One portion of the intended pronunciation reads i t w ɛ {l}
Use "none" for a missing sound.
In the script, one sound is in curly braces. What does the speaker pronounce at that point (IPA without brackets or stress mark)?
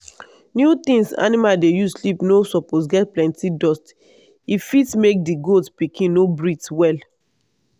l